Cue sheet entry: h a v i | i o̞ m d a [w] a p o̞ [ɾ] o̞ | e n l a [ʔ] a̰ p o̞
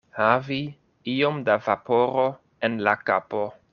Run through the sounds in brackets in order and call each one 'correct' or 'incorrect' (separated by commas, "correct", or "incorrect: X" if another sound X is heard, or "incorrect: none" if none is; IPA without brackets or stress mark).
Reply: incorrect: v, correct, incorrect: k